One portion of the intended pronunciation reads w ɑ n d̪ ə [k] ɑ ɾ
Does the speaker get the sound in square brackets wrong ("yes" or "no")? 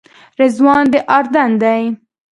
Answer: yes